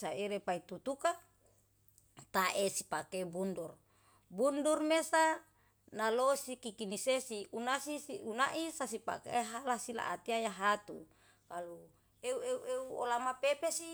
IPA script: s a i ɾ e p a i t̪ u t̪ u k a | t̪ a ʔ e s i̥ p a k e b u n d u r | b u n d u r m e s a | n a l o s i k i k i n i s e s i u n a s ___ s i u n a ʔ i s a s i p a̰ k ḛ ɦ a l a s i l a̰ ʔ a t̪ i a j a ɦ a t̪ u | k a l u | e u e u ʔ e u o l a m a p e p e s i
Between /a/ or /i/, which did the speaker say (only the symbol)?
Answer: i